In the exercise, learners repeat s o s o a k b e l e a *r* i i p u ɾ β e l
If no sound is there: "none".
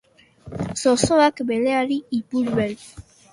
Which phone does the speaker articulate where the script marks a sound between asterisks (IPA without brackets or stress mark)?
ɾ